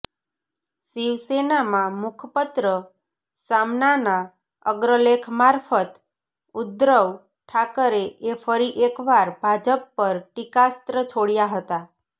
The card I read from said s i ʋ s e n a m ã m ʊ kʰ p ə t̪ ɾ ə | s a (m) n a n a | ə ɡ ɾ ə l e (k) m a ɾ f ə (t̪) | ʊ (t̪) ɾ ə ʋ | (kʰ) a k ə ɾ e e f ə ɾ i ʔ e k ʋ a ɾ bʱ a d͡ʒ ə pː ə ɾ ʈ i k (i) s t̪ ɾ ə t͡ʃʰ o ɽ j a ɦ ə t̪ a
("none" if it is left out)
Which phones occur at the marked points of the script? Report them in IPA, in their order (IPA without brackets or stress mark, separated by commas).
m, kʰ, t̪, d̪, ʈʰ, a